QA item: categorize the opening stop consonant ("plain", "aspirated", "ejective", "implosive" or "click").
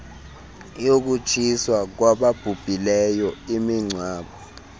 plain